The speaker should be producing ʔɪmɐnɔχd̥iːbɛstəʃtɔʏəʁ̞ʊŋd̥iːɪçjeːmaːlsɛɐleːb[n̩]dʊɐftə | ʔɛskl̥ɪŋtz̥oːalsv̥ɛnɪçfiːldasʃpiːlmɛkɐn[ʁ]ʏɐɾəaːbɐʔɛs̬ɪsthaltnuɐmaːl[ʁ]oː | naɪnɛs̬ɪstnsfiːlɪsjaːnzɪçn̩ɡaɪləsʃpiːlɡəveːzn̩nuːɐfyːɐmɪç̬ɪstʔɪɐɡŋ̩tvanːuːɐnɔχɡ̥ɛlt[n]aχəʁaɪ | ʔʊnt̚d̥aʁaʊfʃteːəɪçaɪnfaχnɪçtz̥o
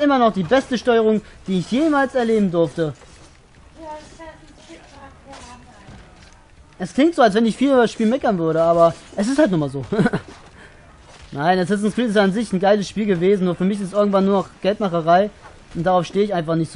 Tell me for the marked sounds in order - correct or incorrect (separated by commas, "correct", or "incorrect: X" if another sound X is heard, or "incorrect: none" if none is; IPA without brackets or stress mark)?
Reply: incorrect: m̩, incorrect: v, incorrect: z, incorrect: m